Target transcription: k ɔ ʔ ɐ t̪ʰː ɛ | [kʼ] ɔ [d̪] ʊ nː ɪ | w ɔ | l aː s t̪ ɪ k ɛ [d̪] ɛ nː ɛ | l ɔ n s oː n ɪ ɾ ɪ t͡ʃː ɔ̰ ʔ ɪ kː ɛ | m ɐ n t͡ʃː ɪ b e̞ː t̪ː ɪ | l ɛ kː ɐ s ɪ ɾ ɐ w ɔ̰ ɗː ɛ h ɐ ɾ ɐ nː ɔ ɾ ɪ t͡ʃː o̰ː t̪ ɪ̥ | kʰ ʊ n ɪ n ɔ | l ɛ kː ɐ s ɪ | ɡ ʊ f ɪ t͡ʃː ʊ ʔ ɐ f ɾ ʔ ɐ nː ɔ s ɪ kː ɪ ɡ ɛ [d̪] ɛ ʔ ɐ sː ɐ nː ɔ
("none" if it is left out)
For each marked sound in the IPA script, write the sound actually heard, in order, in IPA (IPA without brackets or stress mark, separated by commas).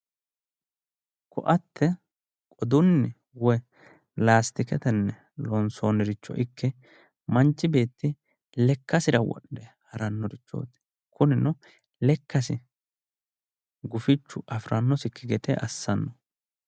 kʼ, d̪, t̪, t̪